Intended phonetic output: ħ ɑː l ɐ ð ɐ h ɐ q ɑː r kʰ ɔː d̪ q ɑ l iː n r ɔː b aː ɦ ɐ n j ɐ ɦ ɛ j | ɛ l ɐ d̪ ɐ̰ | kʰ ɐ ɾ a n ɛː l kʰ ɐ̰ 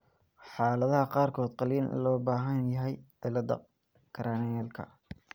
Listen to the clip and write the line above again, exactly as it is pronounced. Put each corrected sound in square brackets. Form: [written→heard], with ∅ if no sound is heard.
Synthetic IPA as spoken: ħ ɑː l ɐ ð ɐ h ɐ q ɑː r kʰ ɔː d̪ q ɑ l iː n [r→l] ɔː b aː ɦ ɐ n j ɐ ɦ ɛ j | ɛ l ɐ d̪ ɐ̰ | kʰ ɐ ɾ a n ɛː l kʰ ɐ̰